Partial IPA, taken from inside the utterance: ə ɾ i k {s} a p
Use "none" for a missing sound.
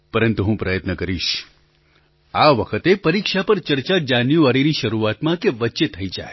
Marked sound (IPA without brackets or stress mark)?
ʃ